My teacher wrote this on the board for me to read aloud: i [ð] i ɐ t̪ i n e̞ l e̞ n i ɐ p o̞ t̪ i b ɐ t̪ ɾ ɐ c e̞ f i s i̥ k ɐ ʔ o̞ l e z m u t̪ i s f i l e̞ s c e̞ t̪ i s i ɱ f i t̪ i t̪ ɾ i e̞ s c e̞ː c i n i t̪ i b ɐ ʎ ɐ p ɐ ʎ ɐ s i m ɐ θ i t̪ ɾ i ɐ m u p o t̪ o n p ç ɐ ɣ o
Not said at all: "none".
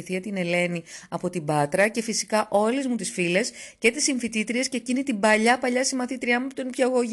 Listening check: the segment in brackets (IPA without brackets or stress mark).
θ